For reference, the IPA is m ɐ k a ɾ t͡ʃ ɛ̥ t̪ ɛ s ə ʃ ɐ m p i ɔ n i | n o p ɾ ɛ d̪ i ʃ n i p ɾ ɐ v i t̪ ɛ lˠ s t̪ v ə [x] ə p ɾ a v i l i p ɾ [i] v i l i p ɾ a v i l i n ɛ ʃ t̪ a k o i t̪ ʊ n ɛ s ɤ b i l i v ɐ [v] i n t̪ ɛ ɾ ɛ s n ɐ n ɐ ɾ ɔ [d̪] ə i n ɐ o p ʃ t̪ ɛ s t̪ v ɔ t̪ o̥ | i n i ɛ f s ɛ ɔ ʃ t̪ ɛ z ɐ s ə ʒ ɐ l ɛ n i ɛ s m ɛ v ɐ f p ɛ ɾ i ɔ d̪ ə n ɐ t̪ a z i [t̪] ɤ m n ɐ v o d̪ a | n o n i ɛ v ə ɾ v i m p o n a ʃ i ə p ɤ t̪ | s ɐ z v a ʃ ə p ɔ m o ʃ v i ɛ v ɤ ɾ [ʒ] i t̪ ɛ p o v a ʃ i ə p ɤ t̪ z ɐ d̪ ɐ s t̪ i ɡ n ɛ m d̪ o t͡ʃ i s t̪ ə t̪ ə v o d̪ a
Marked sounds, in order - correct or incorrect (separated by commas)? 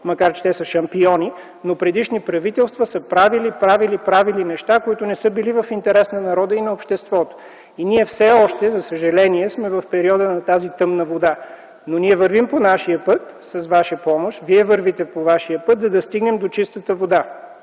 incorrect, incorrect, incorrect, correct, correct, incorrect